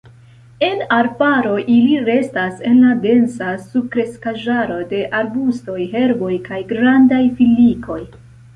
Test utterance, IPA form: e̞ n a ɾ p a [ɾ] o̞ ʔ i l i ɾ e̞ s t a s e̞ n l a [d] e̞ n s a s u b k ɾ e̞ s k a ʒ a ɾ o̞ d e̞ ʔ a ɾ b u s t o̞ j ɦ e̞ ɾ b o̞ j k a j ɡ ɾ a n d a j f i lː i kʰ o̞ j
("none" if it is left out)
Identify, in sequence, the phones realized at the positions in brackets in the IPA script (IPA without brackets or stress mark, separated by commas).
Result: ɾ, d